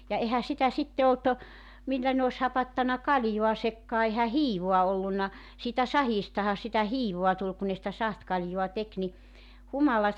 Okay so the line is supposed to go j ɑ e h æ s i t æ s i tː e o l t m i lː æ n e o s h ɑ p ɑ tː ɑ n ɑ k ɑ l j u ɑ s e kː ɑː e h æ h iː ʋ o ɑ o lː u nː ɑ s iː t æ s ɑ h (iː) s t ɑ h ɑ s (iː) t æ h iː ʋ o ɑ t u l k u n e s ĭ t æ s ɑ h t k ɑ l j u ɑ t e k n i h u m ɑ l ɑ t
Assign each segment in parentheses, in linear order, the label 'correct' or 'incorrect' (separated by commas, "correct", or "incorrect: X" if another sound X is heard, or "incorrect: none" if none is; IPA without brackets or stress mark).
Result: correct, incorrect: i